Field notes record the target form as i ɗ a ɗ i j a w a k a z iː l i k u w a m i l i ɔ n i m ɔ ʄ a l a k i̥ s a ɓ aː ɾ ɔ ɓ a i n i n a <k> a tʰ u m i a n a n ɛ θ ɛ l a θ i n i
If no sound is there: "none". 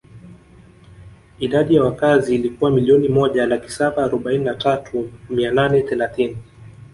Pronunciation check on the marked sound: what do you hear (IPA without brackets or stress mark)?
t